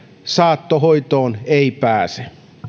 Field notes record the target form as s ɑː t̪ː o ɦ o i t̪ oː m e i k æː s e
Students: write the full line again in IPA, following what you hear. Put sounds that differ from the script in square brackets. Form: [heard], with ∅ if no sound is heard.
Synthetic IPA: s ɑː t̪ː o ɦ o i t̪ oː [n] e i [p] æː s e